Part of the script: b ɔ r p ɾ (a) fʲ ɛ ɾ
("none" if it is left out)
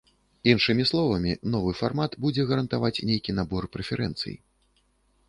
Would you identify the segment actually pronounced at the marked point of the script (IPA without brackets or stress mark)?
ɛ